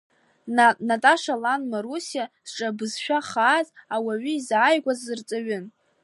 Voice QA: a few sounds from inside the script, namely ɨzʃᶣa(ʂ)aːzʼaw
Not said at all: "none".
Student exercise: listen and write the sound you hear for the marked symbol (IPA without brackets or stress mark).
χ